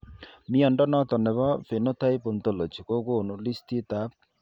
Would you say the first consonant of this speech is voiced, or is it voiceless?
voiced